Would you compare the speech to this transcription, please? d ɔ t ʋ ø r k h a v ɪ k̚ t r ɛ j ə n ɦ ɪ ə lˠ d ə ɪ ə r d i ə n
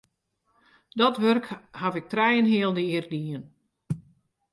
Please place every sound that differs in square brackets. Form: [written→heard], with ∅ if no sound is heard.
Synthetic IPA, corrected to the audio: d ɔ t ʋ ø r k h a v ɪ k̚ t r ɛ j ə n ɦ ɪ ə lˠ d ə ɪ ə r d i ə n